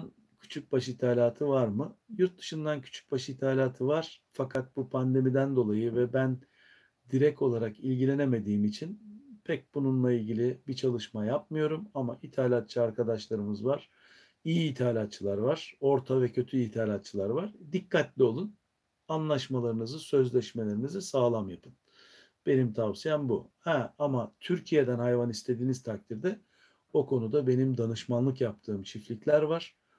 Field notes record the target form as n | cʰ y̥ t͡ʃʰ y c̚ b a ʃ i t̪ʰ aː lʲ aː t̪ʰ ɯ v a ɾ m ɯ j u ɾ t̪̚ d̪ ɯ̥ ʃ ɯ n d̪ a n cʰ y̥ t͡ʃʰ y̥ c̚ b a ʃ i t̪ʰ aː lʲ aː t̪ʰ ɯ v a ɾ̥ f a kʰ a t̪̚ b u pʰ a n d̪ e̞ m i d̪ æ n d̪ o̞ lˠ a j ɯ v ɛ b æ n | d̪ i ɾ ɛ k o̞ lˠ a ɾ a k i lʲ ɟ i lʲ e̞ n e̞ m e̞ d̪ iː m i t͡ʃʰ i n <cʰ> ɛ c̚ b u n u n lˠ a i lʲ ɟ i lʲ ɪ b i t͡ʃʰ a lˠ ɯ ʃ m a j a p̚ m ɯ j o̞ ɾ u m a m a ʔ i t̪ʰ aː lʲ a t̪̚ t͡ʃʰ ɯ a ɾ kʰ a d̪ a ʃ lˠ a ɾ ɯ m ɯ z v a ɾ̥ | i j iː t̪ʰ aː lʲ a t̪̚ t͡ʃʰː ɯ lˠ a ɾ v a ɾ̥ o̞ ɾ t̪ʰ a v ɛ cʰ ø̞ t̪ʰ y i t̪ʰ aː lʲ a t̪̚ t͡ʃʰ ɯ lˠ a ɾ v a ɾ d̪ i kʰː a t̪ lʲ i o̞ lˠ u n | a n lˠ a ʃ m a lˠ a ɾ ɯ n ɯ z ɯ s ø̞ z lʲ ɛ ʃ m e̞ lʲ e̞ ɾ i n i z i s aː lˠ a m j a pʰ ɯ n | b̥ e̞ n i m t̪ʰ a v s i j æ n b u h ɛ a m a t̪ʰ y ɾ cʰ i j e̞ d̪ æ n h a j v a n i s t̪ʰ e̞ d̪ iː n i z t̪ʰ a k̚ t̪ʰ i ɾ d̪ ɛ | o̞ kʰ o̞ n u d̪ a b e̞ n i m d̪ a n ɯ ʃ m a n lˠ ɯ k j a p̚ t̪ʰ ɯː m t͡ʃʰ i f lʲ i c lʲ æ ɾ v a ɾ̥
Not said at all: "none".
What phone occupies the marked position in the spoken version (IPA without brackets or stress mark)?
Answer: pʰ